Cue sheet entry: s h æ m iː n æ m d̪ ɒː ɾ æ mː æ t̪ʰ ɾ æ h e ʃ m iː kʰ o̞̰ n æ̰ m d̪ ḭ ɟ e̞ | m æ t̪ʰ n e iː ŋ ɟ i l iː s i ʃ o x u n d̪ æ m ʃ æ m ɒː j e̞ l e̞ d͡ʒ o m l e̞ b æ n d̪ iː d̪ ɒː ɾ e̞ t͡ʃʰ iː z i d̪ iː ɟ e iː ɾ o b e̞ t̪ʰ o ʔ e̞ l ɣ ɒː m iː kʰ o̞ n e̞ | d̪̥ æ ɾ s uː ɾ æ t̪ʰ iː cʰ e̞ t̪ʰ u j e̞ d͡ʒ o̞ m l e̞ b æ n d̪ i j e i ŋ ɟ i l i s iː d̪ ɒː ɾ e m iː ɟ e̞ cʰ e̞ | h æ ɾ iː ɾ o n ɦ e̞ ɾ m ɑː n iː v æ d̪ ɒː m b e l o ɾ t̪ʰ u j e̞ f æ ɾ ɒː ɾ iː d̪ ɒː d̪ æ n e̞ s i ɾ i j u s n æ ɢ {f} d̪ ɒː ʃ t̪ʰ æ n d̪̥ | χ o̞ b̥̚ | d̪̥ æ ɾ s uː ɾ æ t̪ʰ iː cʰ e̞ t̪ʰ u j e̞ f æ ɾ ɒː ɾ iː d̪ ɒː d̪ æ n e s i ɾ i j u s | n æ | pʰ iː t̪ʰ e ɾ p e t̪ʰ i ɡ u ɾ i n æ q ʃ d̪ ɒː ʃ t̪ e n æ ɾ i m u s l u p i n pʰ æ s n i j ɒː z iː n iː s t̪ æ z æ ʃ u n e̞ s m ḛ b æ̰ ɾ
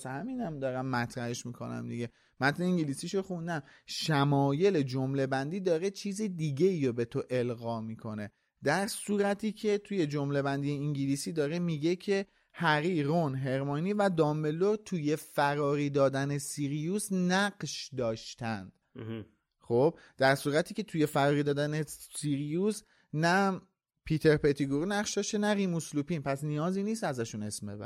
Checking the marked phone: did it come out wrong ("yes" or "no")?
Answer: yes